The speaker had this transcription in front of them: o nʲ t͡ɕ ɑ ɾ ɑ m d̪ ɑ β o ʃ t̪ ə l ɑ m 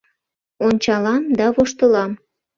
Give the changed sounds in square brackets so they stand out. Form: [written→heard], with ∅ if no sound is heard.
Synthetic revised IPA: o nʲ t͡ɕ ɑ [ɾ→l] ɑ m d̪ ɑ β o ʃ t̪ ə l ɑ m